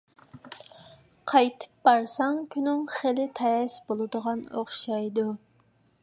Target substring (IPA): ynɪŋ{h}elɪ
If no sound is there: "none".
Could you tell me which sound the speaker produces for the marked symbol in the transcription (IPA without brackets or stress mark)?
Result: χ